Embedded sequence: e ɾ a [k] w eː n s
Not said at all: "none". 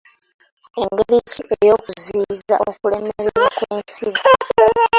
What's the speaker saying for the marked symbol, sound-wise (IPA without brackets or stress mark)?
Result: k